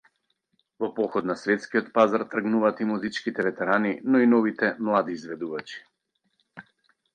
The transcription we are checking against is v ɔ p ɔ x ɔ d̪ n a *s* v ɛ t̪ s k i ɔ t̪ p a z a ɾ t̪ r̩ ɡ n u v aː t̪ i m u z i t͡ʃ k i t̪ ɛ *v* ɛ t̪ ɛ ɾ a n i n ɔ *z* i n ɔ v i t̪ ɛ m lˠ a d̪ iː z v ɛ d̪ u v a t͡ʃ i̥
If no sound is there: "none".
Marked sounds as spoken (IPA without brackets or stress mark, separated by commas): s, v, none